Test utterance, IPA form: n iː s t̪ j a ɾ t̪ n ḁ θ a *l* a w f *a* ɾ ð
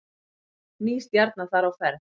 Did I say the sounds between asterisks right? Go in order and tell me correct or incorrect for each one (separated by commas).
incorrect, incorrect